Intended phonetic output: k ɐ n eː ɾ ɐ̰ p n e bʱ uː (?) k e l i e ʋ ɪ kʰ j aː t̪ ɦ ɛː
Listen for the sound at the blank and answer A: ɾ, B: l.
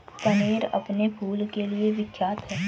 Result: B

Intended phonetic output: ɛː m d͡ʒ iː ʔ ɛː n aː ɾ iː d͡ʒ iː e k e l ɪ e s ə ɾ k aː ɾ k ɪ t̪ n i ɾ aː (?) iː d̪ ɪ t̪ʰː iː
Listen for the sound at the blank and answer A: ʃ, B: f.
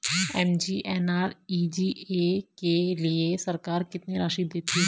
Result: A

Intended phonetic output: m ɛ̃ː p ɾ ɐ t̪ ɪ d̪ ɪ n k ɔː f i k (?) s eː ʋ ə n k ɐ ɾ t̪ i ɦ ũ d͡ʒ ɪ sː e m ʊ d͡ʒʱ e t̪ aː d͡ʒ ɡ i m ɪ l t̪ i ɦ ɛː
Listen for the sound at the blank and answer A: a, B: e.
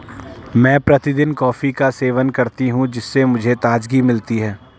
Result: A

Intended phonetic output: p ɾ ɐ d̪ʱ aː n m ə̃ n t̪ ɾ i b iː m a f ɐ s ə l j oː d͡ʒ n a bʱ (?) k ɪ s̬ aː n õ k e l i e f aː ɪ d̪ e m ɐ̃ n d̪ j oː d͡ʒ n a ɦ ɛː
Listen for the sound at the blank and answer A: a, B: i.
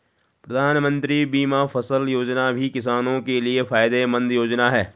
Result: B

